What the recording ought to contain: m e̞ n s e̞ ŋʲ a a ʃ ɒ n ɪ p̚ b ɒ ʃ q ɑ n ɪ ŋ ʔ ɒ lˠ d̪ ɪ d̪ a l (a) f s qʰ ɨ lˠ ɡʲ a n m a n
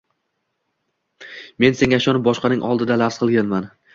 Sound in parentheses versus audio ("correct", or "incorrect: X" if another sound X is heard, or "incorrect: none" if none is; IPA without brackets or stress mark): correct